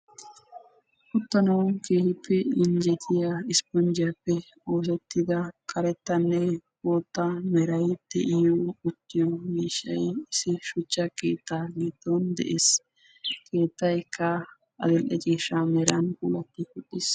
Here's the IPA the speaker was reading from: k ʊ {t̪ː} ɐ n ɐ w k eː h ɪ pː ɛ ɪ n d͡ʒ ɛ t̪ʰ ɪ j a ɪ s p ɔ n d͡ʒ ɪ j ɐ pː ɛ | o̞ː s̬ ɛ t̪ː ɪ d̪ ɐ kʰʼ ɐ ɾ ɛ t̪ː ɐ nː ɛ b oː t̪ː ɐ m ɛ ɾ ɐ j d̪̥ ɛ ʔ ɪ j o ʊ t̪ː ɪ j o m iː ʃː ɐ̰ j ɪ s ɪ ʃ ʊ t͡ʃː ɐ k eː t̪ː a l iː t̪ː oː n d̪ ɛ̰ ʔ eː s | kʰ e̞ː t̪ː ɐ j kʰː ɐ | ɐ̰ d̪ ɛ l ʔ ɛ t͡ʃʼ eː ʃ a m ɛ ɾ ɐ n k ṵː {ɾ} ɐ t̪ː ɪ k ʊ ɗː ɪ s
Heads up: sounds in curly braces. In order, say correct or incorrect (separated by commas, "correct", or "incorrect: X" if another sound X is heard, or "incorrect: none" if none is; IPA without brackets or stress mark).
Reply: correct, incorrect: l